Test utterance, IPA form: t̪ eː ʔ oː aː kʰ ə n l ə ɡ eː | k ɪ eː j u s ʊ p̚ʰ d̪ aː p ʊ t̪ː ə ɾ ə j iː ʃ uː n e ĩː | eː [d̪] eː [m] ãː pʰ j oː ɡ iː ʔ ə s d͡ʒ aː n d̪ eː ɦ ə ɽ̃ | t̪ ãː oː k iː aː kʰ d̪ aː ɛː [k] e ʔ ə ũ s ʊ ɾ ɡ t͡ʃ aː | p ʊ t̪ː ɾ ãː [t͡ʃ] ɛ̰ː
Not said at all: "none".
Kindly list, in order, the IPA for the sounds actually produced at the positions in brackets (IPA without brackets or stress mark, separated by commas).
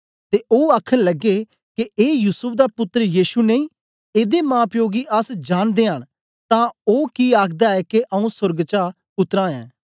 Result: d̪, m, k, none